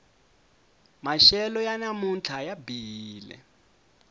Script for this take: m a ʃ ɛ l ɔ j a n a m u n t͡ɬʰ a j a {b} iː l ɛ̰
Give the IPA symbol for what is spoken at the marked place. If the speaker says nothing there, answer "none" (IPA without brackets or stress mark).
b